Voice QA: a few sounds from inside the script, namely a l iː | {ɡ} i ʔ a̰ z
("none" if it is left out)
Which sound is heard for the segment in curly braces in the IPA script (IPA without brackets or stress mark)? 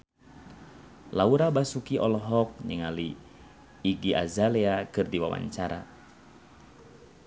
ɡ